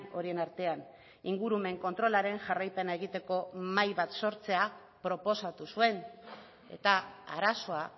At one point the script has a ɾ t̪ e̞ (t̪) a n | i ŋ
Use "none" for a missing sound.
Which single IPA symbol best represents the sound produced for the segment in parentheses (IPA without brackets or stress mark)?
none